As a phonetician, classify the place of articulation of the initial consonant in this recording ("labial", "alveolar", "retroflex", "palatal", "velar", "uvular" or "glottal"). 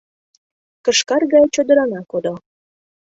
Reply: velar